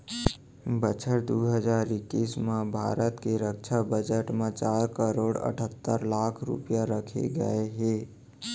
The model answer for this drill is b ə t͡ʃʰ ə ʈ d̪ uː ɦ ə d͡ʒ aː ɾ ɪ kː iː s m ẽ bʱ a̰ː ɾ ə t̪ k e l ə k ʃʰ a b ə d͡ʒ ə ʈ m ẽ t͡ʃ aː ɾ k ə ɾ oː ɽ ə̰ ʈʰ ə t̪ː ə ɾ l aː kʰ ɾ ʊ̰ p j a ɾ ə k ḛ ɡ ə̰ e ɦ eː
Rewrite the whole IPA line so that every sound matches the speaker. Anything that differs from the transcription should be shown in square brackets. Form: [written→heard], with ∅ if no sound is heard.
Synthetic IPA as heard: b ə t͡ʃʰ ə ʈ d̪ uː ɦ ə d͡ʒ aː ɾ ɪ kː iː s m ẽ bʱ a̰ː ɾ ə t̪ k e [l→ɾ] ə k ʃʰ a b ə d͡ʒ ə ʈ m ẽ t͡ʃ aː ɾ k ə ɾ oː ɽ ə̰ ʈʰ ə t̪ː ə ɾ l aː kʰ ɾ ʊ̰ p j a ɾ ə [k→kʰ] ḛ ɡ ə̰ e ɦ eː